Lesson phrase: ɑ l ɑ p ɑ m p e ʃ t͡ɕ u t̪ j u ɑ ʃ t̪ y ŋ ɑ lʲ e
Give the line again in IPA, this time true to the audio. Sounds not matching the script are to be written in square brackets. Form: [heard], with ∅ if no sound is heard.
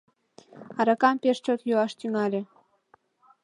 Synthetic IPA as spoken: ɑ [ɾ] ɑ [k] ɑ m p e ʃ t͡ɕ [o] t̪ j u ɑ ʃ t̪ y ŋ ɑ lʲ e